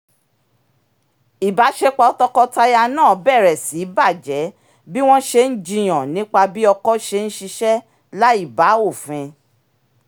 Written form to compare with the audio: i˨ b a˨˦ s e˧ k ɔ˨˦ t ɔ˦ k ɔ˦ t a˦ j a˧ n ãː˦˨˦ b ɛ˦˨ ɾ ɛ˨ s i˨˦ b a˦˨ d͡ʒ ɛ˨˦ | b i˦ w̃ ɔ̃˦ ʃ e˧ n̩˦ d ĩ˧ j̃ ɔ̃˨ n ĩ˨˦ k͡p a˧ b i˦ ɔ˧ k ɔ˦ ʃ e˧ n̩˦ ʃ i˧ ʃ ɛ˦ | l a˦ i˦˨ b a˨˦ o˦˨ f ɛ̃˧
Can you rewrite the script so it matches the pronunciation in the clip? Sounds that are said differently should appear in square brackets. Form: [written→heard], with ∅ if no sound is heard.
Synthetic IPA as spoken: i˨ b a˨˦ [s→ʃ] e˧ [k→k͡p] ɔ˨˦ t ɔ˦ k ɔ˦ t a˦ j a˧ n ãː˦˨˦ b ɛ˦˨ ɾ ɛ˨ s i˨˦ b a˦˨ d͡ʒ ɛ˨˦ | b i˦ w̃ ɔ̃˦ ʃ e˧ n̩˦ [d→d͡ʒ] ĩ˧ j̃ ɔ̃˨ n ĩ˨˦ k͡p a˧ b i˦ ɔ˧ k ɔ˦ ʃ e˧ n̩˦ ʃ i˧ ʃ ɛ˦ | l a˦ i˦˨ b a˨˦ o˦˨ f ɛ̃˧